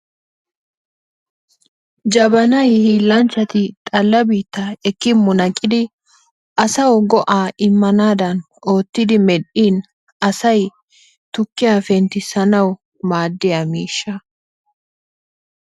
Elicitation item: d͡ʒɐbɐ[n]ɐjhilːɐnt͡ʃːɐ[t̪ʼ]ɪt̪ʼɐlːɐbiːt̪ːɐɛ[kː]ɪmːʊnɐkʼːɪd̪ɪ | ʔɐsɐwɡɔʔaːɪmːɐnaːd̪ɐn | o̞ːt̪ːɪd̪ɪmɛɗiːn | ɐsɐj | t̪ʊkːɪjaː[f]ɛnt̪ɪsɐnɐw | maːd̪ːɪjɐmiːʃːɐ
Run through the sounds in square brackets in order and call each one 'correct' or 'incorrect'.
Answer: correct, incorrect, correct, correct

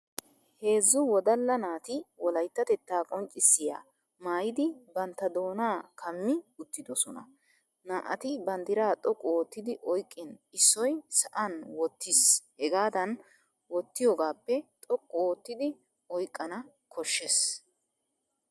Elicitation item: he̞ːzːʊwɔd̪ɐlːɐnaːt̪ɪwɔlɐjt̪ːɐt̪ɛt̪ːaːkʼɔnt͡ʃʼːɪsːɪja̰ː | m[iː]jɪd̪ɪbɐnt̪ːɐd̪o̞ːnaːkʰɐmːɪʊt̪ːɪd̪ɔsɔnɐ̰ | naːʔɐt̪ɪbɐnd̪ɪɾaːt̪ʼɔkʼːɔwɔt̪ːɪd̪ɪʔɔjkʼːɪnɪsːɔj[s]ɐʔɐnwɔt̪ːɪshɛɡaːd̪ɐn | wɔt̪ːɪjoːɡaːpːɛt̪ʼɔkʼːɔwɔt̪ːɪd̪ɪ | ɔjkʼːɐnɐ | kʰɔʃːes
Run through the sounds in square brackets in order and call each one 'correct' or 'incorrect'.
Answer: incorrect, correct

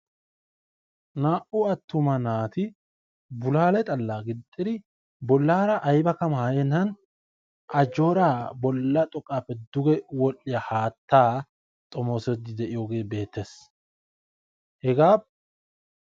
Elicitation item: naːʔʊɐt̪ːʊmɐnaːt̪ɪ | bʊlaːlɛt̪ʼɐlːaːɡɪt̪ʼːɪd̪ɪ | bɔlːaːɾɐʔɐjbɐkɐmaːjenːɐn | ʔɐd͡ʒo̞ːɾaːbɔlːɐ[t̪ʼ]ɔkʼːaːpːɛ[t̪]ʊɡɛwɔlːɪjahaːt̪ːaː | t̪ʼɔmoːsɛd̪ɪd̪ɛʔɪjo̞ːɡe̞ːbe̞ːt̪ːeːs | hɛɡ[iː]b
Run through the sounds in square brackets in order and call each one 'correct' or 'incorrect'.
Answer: correct, incorrect, incorrect

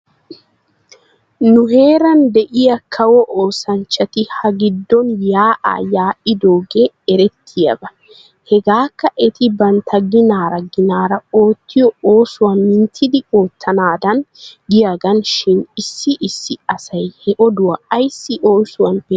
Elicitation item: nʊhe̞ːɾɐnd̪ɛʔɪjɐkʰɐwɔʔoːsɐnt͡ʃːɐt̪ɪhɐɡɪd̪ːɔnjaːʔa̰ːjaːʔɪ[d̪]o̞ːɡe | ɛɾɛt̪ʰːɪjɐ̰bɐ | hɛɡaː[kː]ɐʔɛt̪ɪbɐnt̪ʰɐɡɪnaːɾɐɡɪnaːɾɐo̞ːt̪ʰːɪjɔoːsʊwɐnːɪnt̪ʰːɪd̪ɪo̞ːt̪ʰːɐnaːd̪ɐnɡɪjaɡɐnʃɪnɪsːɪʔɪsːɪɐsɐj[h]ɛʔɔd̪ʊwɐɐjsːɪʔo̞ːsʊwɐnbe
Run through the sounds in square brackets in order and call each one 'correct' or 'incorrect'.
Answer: correct, correct, correct

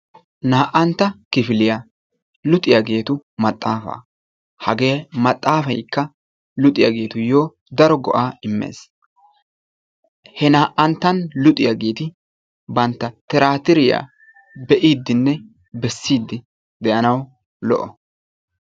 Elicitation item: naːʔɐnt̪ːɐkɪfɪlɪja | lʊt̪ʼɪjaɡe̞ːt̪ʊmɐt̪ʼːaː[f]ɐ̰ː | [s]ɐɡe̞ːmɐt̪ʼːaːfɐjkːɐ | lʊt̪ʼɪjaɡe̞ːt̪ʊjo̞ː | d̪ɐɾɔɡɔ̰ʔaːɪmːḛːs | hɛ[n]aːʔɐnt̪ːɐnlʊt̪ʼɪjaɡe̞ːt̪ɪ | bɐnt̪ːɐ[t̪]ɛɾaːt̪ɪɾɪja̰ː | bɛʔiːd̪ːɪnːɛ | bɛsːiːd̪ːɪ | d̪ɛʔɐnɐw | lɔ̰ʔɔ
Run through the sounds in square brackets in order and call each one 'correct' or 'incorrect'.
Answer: correct, incorrect, correct, correct

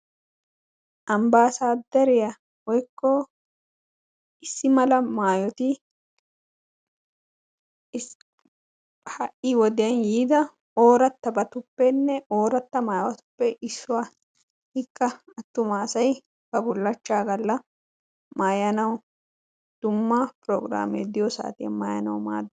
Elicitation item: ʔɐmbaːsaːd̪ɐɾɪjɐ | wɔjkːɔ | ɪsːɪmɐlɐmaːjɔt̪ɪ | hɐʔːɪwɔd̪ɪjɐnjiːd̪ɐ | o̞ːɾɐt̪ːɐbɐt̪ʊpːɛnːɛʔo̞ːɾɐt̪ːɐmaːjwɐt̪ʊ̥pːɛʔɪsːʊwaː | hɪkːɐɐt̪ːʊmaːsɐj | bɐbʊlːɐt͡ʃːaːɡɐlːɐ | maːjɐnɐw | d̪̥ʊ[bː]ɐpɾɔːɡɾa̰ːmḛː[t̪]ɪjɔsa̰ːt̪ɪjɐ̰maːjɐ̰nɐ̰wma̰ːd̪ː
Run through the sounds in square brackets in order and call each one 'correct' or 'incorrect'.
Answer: incorrect, incorrect

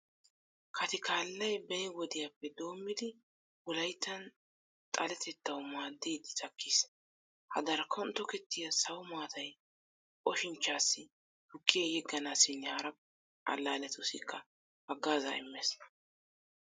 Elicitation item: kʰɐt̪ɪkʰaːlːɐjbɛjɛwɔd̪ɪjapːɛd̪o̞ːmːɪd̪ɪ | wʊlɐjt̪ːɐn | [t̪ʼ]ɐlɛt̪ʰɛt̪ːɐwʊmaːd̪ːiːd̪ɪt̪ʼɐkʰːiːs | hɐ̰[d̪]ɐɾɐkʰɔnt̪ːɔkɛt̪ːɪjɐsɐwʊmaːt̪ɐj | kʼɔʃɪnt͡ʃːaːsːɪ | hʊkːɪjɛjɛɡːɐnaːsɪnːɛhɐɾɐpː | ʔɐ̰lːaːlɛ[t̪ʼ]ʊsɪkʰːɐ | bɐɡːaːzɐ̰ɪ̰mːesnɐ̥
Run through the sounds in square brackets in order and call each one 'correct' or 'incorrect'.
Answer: correct, correct, incorrect

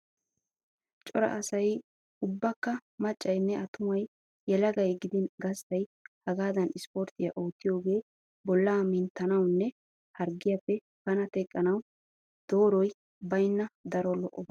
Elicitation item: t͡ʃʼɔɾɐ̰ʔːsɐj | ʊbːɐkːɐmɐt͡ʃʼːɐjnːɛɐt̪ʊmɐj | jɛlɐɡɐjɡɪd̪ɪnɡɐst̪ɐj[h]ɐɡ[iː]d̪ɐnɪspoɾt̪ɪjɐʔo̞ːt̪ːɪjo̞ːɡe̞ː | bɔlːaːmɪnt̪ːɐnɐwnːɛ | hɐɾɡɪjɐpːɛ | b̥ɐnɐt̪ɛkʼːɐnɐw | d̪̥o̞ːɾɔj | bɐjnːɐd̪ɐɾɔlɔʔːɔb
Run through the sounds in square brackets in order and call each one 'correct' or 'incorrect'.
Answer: correct, incorrect

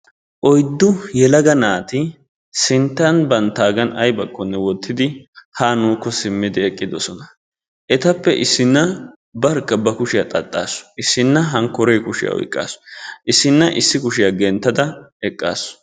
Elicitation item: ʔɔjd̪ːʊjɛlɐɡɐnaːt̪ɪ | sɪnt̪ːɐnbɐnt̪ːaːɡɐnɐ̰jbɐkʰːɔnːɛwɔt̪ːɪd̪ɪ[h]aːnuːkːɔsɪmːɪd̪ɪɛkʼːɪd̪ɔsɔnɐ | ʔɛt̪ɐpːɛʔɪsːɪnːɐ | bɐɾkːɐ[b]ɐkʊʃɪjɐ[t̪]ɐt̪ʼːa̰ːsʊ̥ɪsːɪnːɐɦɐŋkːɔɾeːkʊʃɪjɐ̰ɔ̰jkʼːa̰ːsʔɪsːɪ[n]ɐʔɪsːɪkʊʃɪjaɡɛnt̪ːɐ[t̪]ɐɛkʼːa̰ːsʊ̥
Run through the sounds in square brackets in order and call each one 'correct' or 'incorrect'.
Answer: correct, correct, incorrect, incorrect, incorrect

